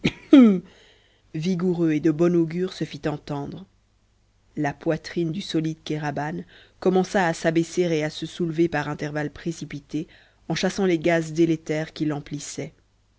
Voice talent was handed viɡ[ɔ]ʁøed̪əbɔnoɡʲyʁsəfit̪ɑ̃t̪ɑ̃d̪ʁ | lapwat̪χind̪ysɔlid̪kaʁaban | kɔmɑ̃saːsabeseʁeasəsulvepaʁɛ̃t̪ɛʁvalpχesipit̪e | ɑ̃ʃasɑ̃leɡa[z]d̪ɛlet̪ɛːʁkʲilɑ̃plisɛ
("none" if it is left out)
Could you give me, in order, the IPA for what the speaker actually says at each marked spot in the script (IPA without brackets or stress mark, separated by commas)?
u, z